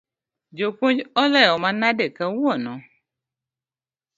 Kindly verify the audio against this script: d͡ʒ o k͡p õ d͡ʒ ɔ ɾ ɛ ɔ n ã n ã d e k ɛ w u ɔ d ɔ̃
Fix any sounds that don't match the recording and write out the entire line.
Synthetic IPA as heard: d͡ʒ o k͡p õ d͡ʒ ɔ l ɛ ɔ m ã n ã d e k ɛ w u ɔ n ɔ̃